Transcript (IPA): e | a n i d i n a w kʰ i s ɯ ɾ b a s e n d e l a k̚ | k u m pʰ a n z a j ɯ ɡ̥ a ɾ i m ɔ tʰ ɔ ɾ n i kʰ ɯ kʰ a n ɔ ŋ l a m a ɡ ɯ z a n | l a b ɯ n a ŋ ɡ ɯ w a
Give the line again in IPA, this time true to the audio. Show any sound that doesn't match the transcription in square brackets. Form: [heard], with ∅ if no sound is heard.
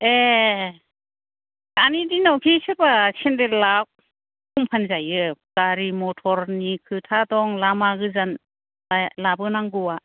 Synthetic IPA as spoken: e | a n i d i n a w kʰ i s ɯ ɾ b a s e n d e l a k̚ | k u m pʰ a n z a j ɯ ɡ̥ a ɾ i m ɔ tʰ ɔ ɾ n i kʰ ɯ [tʰ] a [d] ɔ ŋ l a m a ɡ ɯ z a n | l a b ɯ n a ŋ ɡ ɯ w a